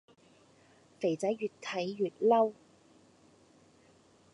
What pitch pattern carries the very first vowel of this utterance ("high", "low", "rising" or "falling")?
low